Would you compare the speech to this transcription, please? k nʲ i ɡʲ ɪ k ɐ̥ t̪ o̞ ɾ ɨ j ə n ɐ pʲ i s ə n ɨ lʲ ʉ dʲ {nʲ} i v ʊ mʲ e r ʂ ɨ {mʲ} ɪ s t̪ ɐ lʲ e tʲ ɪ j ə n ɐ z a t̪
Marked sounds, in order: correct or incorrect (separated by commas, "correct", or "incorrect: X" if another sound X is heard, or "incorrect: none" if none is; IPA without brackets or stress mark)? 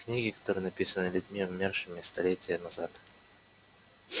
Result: incorrect: mʲ, correct